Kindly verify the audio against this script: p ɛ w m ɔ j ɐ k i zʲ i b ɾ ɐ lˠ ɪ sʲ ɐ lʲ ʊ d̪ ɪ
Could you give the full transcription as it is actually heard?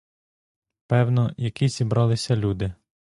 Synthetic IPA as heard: p ɛ w n ɔ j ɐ k i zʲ i b ɾ ɑ lˠ ɪ sʲ ɐ lʲ u d̪ ɪ